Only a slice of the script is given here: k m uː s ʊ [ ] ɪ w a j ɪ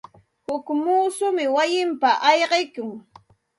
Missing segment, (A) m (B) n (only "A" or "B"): A